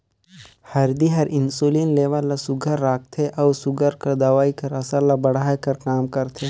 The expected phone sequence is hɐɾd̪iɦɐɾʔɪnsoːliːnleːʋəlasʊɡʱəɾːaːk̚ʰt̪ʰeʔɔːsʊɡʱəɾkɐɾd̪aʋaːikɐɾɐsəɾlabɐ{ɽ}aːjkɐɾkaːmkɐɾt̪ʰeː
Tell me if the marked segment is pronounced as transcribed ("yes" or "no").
yes